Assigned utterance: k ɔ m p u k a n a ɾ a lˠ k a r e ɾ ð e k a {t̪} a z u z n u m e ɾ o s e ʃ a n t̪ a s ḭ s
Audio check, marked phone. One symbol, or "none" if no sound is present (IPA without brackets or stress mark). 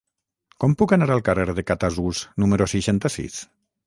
t̪